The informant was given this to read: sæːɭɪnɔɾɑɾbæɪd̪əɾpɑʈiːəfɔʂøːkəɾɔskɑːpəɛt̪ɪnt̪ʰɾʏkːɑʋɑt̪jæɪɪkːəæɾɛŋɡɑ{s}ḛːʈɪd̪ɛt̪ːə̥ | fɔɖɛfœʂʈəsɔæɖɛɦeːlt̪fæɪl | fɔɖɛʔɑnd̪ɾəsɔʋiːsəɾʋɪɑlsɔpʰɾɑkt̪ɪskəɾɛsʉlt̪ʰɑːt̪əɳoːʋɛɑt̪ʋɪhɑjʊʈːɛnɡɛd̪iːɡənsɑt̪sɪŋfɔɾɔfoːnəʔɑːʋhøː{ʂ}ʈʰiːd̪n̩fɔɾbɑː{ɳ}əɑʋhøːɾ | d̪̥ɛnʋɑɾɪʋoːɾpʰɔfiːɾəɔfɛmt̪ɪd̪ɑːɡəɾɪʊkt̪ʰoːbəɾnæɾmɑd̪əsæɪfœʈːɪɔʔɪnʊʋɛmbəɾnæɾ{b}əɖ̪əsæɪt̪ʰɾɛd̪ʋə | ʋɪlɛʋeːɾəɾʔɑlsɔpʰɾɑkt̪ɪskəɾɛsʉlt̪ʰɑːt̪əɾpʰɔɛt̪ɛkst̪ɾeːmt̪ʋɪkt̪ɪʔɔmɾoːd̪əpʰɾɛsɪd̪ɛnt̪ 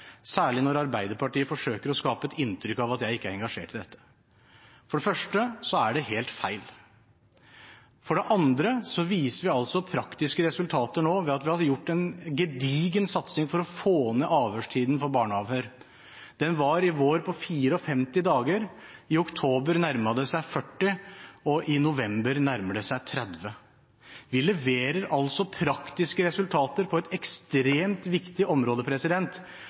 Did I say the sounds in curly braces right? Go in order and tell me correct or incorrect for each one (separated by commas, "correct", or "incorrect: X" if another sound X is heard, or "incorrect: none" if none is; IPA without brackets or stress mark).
incorrect: ʂ, correct, correct, incorrect: m